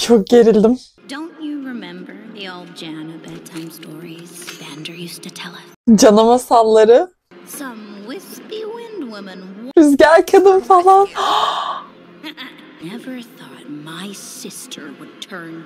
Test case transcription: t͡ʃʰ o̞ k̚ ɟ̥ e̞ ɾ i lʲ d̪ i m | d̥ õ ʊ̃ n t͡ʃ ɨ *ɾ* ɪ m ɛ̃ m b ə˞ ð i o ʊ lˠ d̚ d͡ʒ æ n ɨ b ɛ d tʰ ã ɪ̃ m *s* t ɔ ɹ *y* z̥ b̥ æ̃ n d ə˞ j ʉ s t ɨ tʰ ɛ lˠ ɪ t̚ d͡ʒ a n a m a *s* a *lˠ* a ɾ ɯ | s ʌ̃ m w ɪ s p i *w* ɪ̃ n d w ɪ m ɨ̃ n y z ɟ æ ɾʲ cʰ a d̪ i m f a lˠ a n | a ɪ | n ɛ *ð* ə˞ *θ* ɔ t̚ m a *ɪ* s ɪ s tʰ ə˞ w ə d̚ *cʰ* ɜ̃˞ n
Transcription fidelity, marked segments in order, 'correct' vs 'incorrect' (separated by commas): incorrect, correct, incorrect, correct, incorrect, correct, incorrect, correct, correct, incorrect